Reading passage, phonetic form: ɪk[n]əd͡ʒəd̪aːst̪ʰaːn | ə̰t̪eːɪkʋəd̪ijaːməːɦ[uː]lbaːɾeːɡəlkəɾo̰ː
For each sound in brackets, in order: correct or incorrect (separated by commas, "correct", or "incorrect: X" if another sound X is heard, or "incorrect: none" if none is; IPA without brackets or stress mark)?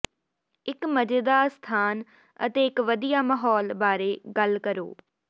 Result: incorrect: m, incorrect: ɔː